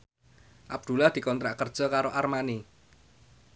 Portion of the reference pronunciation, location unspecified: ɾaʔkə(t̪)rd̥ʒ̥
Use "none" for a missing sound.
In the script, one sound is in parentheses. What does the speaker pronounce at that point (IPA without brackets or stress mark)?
none